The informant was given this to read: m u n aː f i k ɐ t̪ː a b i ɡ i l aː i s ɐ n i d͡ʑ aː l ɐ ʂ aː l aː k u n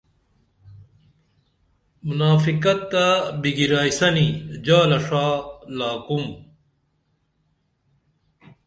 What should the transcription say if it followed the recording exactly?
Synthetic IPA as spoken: m u n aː f i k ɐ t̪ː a b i ɡ i ɾ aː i s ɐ n i d͡ʑ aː l ɐ ʂ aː l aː k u m